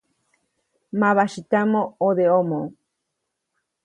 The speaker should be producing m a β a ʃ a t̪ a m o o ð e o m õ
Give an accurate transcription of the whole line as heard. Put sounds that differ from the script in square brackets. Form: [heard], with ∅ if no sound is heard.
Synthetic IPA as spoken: m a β a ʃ [i] t̪ a m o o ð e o m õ